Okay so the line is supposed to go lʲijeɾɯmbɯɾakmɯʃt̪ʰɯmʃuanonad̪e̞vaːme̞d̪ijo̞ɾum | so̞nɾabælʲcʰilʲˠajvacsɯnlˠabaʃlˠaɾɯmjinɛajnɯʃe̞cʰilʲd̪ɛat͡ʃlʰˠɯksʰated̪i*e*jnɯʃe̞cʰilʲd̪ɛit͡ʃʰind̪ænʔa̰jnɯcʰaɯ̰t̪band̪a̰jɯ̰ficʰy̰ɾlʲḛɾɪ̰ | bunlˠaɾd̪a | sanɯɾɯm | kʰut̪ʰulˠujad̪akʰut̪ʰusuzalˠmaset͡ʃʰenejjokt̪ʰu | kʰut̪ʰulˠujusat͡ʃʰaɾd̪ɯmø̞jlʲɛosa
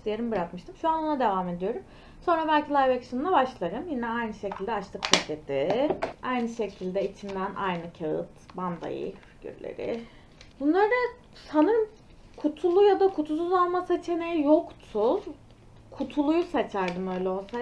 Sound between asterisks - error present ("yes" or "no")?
yes